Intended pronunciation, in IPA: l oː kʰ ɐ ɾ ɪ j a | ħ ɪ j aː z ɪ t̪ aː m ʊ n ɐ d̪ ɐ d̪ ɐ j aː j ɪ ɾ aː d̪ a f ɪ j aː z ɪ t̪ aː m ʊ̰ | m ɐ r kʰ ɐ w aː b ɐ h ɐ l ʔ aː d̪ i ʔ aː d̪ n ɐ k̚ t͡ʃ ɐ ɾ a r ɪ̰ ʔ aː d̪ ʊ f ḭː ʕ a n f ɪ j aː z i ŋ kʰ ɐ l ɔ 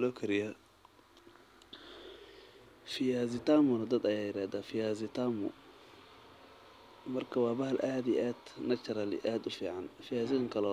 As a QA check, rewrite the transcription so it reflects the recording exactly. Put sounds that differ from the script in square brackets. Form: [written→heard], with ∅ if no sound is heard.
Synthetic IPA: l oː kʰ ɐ ɾ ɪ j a | [ħ→f] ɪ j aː z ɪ t̪ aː m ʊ n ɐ d̪ ɐ d̪ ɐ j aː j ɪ ɾ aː d̪ a f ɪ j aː z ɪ t̪ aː m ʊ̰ | m ɐ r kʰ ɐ w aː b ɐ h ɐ l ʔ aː d̪ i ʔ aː d̪ n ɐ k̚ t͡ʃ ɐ ɾ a [r→l] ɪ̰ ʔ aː d̪ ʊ f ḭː ʕ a n f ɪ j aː z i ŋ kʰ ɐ l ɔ